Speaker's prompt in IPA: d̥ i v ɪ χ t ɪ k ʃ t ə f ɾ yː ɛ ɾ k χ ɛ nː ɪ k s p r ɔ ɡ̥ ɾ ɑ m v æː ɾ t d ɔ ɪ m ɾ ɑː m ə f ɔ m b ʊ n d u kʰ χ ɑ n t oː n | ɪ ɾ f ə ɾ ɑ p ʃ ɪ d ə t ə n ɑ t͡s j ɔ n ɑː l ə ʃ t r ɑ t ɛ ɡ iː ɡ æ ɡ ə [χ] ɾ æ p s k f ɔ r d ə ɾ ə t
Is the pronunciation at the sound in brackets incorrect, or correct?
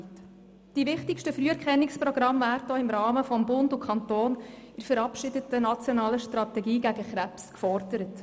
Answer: correct